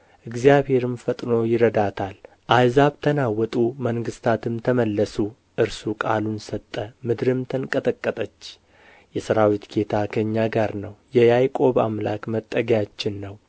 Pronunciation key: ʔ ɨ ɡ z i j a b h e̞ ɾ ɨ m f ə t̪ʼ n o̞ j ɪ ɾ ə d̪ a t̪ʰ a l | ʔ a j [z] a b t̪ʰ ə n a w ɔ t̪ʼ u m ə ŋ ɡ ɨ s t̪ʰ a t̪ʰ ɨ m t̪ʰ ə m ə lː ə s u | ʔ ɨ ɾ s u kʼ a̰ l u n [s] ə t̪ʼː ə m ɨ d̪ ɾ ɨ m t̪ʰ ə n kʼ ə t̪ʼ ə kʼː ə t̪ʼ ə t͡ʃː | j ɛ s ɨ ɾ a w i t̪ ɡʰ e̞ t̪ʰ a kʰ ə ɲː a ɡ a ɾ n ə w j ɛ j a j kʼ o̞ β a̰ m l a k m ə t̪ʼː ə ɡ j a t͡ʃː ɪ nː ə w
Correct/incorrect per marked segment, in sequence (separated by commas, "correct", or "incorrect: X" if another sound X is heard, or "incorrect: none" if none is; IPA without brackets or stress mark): correct, correct